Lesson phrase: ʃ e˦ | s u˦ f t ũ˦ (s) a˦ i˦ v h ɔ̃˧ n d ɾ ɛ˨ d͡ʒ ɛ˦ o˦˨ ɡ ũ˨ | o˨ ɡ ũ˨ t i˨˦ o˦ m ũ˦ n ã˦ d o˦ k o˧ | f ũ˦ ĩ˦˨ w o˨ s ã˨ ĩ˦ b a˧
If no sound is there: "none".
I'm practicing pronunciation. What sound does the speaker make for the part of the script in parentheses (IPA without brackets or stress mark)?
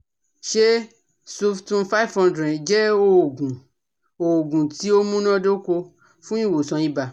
f